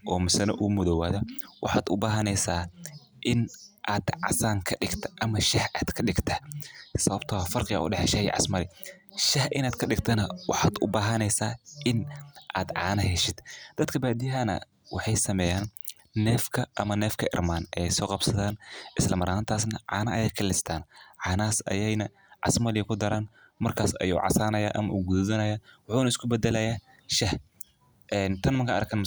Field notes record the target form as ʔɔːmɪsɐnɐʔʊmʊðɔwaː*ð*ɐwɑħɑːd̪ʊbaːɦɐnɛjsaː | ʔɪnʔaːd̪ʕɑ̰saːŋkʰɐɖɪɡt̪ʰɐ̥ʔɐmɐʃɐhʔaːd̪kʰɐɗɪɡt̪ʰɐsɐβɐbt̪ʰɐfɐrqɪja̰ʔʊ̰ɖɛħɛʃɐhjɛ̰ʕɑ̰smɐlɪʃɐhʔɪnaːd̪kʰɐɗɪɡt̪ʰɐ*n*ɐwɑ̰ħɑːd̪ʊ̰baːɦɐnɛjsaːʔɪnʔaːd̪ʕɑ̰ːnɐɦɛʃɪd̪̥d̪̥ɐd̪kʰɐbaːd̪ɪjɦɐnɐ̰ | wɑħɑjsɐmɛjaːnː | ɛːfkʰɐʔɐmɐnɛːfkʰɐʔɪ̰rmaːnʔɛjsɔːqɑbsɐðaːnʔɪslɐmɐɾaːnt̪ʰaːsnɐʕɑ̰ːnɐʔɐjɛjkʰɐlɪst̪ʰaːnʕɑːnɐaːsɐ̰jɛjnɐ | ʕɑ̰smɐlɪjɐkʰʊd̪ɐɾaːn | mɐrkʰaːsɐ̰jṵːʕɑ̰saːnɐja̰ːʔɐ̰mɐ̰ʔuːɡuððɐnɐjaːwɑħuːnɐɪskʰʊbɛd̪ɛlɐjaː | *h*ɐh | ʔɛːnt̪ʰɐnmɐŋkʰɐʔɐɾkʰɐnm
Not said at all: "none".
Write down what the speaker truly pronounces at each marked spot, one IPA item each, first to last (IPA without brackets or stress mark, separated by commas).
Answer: ð, n, ʃ